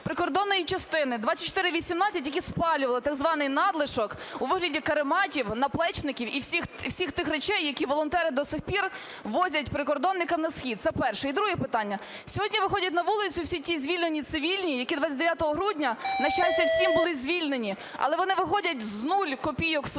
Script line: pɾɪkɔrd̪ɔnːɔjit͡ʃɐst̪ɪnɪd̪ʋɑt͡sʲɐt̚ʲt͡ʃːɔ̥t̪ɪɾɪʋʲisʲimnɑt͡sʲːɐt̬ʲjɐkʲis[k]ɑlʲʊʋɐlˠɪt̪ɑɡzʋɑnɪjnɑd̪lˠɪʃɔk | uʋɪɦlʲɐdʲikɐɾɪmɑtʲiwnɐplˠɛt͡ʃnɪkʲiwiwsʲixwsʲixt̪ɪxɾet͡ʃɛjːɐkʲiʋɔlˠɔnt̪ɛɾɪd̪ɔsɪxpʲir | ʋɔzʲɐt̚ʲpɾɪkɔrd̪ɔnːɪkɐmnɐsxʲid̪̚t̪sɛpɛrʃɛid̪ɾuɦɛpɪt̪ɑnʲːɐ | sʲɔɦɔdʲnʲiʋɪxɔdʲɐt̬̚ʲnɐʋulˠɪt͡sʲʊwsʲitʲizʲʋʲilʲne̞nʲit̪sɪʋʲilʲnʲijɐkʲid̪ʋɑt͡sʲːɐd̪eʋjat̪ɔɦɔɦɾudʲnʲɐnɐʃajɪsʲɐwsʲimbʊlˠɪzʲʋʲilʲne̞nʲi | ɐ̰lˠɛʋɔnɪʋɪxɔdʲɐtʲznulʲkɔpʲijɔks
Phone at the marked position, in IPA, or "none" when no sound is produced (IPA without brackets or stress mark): p